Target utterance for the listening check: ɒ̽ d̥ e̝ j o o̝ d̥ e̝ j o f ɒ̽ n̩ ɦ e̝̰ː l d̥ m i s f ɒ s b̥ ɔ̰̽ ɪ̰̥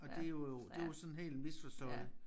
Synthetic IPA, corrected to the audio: ɒ̽ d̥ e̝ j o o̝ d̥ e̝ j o s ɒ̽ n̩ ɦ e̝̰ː l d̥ m i s f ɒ s d̥ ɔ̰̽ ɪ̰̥